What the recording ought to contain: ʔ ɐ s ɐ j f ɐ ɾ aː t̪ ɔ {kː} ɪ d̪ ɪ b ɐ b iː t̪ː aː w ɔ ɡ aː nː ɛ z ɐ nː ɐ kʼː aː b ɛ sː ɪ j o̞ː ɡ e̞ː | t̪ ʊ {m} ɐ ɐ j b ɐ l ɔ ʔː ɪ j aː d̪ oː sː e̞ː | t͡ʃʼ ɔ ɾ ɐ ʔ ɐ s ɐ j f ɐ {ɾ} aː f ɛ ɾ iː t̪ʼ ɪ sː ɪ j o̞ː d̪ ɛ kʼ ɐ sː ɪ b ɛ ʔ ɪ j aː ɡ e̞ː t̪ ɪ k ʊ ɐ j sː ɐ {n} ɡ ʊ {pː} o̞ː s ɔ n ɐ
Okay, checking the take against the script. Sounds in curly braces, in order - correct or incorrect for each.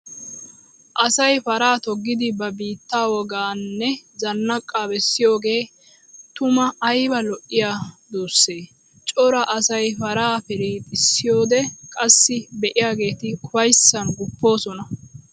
incorrect: ɡː, correct, correct, correct, correct

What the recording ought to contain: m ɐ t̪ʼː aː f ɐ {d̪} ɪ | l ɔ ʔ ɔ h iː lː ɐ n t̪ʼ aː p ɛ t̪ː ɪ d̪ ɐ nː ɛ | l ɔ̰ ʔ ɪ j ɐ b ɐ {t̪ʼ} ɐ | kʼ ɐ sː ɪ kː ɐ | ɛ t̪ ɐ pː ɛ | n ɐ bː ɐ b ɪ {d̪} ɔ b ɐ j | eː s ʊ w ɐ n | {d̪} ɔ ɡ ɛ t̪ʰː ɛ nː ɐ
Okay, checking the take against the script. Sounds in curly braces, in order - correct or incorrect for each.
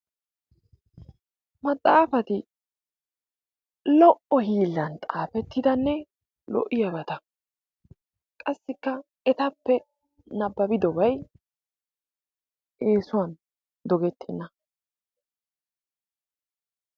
incorrect: t̪, incorrect: t̪, correct, correct

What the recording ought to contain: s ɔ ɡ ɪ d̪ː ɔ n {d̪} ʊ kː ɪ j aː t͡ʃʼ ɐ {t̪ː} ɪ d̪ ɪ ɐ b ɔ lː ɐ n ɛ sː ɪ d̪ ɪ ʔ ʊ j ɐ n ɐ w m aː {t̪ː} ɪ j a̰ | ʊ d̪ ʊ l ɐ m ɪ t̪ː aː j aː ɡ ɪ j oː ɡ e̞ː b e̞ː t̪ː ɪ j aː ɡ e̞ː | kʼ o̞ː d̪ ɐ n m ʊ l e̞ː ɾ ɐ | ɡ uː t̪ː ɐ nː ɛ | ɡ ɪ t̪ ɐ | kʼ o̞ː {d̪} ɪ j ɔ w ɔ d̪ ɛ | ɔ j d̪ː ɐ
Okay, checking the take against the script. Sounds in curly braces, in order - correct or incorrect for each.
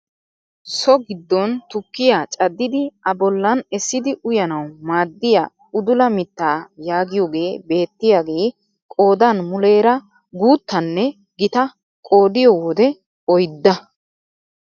incorrect: t̪, incorrect: d̪ː, incorrect: d̪ː, correct

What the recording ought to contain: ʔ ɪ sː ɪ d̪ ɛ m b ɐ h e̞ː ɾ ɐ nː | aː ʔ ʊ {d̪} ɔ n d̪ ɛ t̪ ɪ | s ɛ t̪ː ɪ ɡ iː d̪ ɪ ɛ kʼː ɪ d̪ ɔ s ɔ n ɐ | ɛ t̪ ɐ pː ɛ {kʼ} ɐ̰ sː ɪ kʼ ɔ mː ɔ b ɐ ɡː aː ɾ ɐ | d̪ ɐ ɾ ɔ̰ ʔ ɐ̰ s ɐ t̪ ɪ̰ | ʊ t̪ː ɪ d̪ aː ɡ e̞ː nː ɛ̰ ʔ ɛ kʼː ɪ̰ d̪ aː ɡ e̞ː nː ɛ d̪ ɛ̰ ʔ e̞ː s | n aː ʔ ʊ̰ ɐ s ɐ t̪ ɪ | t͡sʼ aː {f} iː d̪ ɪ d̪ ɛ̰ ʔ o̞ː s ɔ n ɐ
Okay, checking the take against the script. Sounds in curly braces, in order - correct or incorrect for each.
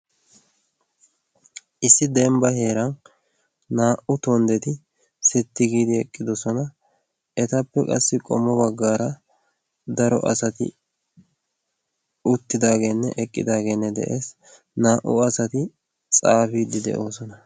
incorrect: t̪, correct, correct

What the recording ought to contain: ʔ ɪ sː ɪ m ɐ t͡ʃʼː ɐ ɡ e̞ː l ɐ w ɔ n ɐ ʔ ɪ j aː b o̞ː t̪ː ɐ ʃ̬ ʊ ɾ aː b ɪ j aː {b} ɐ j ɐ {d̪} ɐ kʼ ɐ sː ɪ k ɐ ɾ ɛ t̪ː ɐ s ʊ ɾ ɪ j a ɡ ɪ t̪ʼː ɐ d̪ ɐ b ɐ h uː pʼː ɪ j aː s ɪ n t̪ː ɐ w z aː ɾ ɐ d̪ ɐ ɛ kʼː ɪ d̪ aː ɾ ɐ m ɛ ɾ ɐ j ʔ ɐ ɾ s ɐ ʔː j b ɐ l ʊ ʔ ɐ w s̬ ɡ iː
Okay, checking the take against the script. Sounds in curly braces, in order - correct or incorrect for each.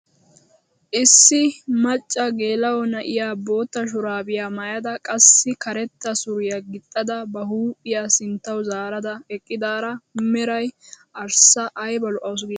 incorrect: m, correct

